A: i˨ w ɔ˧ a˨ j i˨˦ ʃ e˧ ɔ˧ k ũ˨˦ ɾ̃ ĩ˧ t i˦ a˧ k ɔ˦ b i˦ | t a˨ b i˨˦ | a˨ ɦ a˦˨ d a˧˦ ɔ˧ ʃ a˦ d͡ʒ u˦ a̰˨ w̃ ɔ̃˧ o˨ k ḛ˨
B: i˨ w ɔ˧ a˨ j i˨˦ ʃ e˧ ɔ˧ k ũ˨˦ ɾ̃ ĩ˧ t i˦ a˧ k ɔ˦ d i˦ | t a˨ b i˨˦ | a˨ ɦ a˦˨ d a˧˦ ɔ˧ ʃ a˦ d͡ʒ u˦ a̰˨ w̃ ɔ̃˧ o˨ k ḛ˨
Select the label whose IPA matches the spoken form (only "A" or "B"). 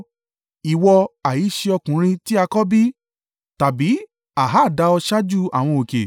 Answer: A